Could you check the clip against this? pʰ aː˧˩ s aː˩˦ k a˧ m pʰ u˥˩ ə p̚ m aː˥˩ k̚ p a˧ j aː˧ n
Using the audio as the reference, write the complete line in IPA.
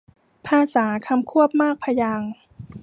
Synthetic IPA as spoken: pʰ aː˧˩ s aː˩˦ kʰ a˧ m kʰ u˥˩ ə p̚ m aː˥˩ k̚ pʰ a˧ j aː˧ ŋ